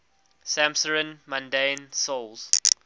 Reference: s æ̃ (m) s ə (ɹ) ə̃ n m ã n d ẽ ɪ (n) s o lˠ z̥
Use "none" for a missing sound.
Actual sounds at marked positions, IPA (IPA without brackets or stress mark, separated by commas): m, ɹ, n